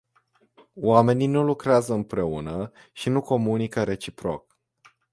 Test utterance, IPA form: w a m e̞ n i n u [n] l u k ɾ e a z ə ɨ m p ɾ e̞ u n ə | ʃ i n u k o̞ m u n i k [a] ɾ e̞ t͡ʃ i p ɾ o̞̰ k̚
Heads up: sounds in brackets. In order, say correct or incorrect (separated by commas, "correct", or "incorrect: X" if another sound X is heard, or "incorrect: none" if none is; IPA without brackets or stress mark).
incorrect: none, incorrect: ə